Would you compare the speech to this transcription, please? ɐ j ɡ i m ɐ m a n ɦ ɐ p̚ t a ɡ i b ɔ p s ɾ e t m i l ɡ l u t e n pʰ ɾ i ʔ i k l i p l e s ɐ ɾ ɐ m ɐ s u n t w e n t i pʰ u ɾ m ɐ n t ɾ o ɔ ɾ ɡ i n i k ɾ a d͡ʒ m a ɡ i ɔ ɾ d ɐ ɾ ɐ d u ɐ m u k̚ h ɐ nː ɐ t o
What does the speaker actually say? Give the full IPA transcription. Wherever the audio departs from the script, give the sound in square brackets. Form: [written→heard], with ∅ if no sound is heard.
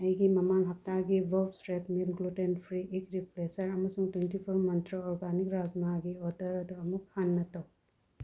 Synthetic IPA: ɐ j ɡ i m ɐ m a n ɦ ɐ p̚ t a ɡ i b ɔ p s ɾ e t m i l ɡ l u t e n pʰ ɾ i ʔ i k [l→ɾ] i p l e s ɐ ɾ ɐ m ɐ s u [n→ŋ] t w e n t i pʰ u ɾ m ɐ n t ɾ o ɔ ɾ ɡ [i→a] n i k ɾ a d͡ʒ m a ɡ i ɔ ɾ d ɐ ɾ ɐ d u ɐ m u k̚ h [ɐ→a] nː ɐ t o